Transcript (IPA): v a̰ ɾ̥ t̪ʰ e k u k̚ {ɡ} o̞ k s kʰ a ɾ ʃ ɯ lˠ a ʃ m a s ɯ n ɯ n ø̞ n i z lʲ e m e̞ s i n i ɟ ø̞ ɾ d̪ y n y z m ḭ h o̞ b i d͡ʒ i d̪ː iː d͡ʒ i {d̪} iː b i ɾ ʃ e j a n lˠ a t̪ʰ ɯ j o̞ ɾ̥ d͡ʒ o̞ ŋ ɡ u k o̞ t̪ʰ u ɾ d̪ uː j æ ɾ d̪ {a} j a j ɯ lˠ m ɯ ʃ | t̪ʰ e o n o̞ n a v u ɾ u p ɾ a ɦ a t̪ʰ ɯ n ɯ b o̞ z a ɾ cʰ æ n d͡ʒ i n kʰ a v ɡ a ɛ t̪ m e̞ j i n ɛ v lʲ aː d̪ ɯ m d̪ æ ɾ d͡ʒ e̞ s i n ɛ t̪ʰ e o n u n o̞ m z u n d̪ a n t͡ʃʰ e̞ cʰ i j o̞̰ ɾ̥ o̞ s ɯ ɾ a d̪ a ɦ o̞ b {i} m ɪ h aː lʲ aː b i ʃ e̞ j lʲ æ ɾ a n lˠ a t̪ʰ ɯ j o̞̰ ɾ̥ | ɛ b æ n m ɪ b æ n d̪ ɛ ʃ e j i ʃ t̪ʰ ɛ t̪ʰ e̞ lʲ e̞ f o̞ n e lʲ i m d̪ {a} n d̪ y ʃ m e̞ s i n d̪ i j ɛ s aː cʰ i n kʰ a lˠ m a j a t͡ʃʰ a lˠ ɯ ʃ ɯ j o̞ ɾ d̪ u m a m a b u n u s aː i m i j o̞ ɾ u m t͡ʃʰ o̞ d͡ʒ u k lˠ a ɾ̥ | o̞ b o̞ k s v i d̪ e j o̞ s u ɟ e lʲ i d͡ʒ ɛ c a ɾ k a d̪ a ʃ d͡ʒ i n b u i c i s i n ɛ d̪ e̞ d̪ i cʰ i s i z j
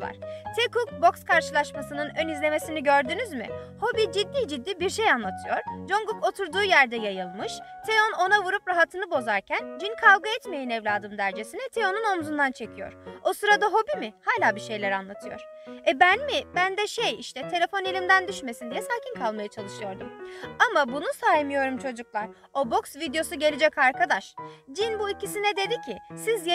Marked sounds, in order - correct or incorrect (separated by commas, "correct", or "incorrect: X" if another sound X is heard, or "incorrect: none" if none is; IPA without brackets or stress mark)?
incorrect: b, incorrect: d̪ː, incorrect: ɛ, correct, incorrect: æ